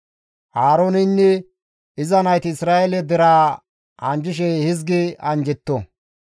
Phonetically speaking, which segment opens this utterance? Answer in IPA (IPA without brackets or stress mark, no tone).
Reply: h